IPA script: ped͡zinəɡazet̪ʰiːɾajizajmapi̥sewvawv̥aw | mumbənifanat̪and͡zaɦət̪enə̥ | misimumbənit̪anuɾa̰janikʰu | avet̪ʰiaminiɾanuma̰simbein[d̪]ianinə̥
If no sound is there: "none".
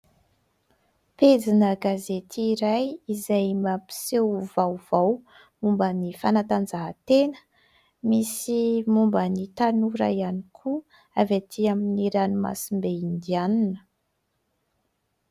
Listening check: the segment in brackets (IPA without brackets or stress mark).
d̪